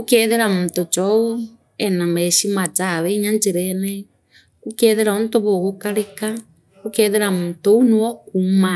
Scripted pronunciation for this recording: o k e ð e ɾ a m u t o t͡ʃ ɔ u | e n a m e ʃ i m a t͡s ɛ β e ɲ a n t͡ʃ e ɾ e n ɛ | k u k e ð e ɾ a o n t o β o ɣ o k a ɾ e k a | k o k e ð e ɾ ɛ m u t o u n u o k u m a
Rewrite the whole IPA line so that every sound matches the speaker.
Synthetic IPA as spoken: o k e ð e ɾ a m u t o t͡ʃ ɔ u | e n a m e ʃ i m a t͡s a β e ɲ a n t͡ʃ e ɾ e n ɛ | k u k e ð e ɾ a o n t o β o ɣ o k a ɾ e k a | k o k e ð e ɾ a m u t o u n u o k u m a

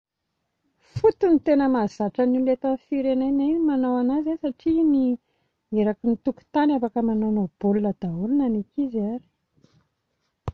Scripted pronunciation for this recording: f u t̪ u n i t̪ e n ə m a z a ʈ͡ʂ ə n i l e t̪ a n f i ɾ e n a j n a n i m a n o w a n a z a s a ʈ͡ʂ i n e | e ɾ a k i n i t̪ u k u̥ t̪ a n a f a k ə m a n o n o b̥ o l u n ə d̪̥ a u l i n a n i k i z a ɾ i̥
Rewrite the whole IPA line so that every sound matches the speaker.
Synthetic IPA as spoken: f u t̪ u n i t̪ e n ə m a z a ʈ͡ʂ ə n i l e t̪ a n f i ɾ e n a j n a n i m a n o w a n a z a s a ʈ͡ʂ i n i | e ɾ a k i n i t̪ u k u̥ t̪ a n a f a k ə m a n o n o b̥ o l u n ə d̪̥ a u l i n a n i k i z a ɾ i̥

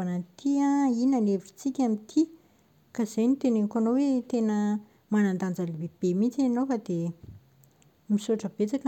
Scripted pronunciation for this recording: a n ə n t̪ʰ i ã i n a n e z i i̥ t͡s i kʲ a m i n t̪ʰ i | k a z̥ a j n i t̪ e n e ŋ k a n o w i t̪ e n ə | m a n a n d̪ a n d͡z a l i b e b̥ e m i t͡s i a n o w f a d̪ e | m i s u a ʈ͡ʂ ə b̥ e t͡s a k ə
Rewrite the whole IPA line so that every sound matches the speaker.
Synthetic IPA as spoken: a n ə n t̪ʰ i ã i n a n e v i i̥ t͡s i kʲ a m i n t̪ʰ i | k a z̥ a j n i t̪ e n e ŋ k a n o w e t̪ e n ə | m a n a n d̪ a n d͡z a l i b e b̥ e m i t͡s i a n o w f a d̪ e | m i s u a ʈ͡ʂ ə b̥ e t͡s a k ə

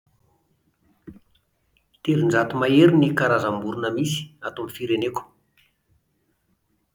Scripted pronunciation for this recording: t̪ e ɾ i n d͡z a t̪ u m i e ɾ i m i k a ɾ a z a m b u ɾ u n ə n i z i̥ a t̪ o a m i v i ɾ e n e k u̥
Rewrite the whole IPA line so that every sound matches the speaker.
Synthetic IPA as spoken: t̪ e ɾ i n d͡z a t̪ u m a e ɾ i n i k a ɾ a z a m b u ɾ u n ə m i s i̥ a t̪ o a m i f i ɾ e n e k u̥

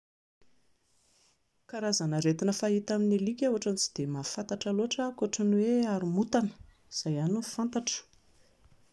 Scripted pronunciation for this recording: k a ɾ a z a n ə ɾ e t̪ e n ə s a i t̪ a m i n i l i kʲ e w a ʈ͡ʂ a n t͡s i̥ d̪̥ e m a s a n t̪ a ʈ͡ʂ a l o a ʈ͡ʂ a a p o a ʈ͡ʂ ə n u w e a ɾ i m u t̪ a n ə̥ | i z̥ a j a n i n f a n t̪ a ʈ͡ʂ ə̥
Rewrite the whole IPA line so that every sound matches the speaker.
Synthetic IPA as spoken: k a ɾ a z a n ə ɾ e t̪ i n ə f a i t̪ a m i n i l i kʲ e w a ʈ͡ʂ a n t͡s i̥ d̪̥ e m a f a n t̪ a ʈ͡ʂ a l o a ʈ͡ʂ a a k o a ʈ͡ʂ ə n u w e a ɾ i m u t̪ a n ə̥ | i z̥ a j a n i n f a n t̪ a ʈ͡ʂ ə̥

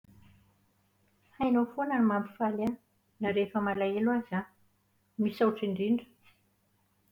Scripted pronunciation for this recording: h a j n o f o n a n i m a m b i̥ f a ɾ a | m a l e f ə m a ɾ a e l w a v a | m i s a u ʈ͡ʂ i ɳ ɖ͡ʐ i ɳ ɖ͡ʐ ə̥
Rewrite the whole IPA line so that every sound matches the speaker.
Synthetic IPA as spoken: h a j n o f o n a n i m a m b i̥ f a l a | n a ɾ e f ə m a l a e l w a z a | m i s a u ʈ͡ʂ i ɳ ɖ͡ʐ i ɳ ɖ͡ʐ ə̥

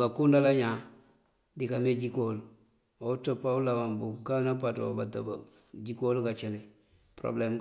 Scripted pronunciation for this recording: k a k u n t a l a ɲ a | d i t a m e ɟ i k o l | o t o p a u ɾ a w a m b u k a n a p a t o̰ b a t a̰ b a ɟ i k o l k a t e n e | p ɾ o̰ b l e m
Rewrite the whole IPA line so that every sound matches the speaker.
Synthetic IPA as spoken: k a k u n d a l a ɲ a | d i k a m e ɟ i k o l | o t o p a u l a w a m b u k a n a p a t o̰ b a t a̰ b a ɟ i k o l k a t͡ʃ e n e | p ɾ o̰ b l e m

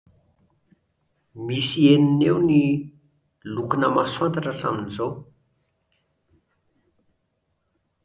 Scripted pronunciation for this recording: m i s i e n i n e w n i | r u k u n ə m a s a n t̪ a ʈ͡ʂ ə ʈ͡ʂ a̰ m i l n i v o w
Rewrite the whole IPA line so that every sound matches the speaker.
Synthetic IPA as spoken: m i s i e n i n e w n i | l u k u n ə m a s a n t̪ a ʈ͡ʂ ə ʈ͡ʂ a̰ m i n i z o w

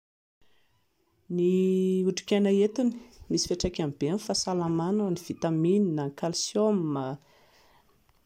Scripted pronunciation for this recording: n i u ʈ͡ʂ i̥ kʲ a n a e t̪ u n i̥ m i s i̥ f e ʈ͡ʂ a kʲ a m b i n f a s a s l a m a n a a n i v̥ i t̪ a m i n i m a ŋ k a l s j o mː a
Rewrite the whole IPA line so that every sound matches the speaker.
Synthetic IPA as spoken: n i u ʈ͡ʂ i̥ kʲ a n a e t̪ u n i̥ m i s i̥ f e ʈ͡ʂ a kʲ a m b e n f a s a l a m a n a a n i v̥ i t̪ a m i n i n a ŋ k a l s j o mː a

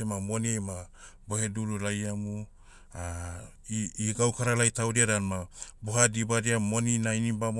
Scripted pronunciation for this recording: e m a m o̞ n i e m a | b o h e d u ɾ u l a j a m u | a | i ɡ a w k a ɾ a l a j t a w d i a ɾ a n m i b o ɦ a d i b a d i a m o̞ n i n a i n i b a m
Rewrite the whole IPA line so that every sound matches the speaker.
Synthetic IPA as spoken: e m a m o̞ n i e m a | b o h e d u ɾ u l a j a m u | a | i ɡ a w k a ɾ a l a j t a w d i a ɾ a n m a b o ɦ a d i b a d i a m o̞ n i n a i n i b a m

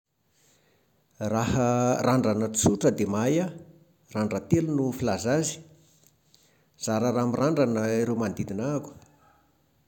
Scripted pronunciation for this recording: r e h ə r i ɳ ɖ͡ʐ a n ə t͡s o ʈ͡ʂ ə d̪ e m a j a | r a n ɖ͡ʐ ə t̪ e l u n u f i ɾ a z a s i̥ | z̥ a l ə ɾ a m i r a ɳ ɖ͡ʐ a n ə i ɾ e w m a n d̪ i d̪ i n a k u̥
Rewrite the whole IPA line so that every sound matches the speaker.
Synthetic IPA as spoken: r a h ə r a ɳ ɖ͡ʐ a n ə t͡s u ʈ͡ʂ ə d̪ e m a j a | r a ɳ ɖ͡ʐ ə t̪ e l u n u f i l a z a z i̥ | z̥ a ɾ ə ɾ a m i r a ɳ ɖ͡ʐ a n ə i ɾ e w m a n d̪ i d̪ i n a k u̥

